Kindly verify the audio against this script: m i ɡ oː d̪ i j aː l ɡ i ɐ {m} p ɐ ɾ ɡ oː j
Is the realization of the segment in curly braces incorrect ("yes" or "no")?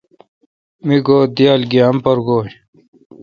no